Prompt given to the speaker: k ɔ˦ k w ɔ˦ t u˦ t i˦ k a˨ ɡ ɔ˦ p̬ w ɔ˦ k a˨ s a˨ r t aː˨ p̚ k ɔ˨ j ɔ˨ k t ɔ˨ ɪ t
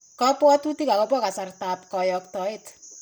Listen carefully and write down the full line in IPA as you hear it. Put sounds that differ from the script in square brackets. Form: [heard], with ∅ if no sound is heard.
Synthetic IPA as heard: k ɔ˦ [p] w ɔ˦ t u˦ t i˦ k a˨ [k] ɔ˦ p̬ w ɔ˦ k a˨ s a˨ r t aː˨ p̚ k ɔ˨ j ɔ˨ k t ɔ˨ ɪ t